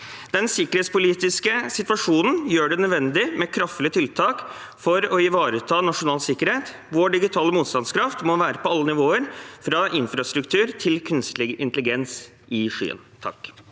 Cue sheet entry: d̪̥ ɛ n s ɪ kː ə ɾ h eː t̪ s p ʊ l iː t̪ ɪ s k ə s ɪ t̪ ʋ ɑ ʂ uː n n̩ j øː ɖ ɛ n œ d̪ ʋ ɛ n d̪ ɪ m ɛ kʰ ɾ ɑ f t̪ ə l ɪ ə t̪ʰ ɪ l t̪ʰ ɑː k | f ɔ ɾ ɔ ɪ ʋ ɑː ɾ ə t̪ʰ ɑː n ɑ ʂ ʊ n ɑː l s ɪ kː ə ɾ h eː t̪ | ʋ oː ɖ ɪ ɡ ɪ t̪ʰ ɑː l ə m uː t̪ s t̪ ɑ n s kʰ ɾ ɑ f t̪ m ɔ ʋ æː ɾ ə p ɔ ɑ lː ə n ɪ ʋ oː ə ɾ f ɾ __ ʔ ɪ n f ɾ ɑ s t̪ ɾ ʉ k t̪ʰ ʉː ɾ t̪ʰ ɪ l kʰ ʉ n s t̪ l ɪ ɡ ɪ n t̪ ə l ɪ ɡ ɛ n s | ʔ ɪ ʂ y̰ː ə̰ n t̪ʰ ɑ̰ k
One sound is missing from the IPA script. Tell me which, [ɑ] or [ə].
ɑ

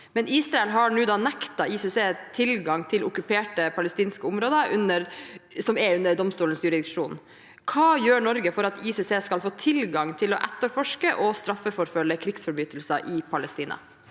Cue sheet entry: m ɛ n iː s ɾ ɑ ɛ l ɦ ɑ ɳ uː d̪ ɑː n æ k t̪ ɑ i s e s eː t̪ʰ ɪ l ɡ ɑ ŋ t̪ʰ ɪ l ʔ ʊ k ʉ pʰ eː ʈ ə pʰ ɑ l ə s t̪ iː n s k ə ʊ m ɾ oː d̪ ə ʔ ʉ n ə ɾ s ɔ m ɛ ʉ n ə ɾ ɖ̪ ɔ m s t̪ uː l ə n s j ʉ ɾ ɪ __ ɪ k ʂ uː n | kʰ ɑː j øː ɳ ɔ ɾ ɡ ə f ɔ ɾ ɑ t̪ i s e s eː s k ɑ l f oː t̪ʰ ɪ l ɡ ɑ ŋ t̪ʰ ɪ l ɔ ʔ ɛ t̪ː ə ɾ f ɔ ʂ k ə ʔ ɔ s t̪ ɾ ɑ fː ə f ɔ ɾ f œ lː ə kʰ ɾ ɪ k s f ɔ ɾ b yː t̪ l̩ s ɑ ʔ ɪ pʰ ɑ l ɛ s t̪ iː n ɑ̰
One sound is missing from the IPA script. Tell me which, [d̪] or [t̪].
d̪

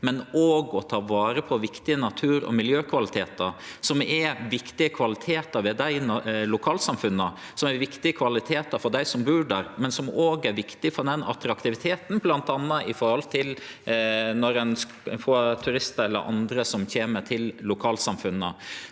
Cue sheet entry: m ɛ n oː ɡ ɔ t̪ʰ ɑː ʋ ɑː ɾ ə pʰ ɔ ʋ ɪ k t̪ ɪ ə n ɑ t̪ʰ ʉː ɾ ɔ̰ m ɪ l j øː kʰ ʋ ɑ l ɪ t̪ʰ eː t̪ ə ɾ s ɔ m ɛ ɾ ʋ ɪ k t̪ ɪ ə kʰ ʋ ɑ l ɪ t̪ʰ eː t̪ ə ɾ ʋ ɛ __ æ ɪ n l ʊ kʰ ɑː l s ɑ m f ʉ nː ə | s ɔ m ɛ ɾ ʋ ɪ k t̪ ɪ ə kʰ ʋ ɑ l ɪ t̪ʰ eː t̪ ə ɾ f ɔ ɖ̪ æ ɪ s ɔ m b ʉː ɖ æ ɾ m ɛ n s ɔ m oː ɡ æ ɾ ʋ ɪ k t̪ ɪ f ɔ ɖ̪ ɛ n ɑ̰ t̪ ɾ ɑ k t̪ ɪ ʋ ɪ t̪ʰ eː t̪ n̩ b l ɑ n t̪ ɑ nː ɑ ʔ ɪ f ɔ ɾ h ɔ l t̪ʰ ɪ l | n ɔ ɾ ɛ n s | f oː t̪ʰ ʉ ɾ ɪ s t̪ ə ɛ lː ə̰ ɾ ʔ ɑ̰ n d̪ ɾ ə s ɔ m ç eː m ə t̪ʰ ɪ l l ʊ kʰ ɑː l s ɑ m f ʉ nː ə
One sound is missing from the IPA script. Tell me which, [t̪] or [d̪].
d̪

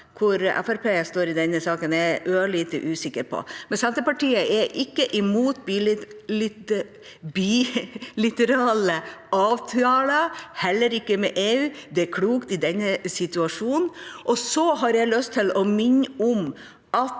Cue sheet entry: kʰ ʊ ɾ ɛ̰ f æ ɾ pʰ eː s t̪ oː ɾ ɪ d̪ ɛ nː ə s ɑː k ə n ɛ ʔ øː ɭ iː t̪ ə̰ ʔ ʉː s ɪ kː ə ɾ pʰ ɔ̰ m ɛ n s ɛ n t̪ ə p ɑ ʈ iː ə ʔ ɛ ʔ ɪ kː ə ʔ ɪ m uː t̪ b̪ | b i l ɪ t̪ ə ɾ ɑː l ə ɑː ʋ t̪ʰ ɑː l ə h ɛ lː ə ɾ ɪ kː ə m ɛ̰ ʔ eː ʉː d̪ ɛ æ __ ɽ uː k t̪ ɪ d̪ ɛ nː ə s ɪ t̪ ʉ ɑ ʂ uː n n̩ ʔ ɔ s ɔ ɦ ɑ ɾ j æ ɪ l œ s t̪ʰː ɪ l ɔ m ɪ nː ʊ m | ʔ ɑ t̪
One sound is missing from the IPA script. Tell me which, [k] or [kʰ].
kʰ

